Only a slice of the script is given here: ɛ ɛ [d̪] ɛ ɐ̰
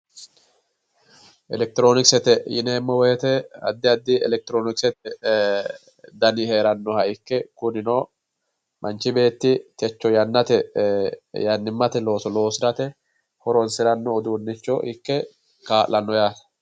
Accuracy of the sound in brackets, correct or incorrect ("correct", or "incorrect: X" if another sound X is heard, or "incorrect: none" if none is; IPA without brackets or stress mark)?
incorrect: t̪